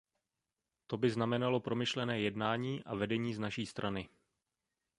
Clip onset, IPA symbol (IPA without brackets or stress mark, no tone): t̪